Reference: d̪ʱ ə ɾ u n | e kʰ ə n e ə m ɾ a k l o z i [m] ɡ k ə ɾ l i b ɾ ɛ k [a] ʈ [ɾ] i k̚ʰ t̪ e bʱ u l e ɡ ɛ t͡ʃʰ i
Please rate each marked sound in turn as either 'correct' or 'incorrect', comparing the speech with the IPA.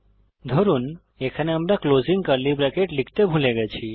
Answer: incorrect: ŋ, incorrect: e, incorrect: l

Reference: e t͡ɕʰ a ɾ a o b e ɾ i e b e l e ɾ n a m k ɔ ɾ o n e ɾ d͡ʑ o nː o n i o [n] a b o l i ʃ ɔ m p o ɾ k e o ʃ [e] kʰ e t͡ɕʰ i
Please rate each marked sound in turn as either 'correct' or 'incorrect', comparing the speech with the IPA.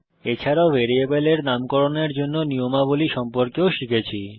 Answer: incorrect: m, incorrect: i

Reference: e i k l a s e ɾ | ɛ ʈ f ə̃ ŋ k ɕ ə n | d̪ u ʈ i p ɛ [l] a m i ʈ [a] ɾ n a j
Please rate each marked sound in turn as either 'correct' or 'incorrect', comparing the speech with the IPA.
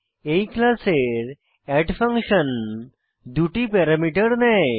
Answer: incorrect: ɾ, incorrect: ə

